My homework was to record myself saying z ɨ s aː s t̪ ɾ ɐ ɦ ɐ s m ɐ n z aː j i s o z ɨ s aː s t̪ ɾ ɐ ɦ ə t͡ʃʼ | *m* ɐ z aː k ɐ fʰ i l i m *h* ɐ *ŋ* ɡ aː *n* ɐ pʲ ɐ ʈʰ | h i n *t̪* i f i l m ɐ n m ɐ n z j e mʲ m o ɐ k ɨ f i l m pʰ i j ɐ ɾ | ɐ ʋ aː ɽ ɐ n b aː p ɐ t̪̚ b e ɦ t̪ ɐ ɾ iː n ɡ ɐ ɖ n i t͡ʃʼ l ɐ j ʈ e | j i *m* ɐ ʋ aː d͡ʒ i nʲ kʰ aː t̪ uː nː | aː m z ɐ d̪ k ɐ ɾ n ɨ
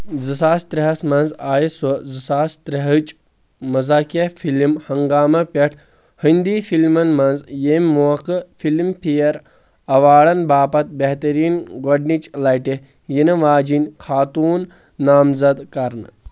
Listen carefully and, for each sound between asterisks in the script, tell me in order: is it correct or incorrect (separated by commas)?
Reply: correct, correct, correct, incorrect, incorrect, incorrect